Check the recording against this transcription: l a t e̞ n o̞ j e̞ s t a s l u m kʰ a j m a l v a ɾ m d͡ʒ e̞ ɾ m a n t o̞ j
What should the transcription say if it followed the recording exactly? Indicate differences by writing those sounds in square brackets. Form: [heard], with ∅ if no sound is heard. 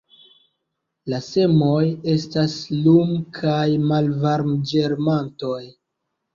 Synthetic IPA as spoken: l a [s] e̞ [m] o̞ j e̞ s t a s l u m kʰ a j m a l v a ɾ m d͡ʒ e̞ ɾ m a n t o̞ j